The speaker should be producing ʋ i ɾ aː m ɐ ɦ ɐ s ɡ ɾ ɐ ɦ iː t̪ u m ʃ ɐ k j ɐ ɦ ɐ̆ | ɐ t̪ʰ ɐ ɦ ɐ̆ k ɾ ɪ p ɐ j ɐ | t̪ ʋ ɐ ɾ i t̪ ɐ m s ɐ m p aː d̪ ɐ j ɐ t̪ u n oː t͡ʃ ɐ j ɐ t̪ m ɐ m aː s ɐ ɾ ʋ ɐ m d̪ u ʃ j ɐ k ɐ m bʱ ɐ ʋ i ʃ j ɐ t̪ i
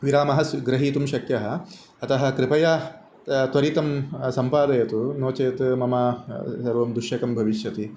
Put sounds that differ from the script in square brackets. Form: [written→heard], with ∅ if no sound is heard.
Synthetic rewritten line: ʋ i ɾ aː m ɐ ɦ ɐ s ɡ ɾ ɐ ɦ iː t̪ u m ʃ ɐ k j ɐ ɦ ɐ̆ | ɐ [t̪ʰ→t̪] ɐ ɦ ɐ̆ k ɾ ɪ p ɐ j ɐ | t̪ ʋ ɐ ɾ i t̪ ɐ m s ɐ m p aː d̪ ɐ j ɐ t̪ u n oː t͡ʃ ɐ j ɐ t̪ m ɐ m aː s ɐ ɾ ʋ ɐ m d̪ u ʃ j ɐ k ɐ m bʱ ɐ ʋ i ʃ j ɐ t̪ i